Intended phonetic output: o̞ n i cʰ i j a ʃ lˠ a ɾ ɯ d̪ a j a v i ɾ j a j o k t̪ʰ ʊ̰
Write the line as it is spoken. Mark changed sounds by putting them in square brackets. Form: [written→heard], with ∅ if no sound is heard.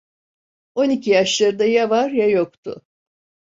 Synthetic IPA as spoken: o̞ n i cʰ i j a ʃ lˠ a ɾ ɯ d̪ a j a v [i→a] ɾ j a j o k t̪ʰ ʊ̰